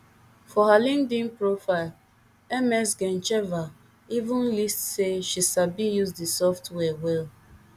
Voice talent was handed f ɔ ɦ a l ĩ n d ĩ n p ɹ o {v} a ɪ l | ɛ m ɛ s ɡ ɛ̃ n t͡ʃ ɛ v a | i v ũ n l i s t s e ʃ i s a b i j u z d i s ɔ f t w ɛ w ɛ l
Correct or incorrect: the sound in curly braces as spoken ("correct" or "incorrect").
incorrect